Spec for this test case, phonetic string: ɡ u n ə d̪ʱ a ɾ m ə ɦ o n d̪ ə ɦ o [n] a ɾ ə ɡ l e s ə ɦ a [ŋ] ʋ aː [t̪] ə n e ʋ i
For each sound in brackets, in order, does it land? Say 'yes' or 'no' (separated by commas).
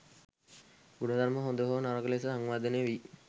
yes, yes, no